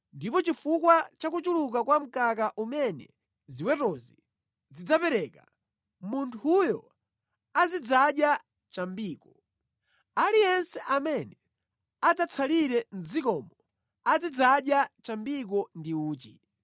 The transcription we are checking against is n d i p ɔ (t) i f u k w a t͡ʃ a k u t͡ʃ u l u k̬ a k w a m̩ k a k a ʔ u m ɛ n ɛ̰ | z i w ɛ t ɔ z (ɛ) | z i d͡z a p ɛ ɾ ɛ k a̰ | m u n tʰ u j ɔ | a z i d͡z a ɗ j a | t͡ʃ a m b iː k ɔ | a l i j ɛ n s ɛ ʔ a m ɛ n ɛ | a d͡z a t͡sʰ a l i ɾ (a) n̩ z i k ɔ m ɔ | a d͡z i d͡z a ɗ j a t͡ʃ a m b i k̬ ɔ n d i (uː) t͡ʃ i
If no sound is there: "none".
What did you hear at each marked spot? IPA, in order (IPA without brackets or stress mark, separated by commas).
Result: t͡ʃ, i, ɛ, uː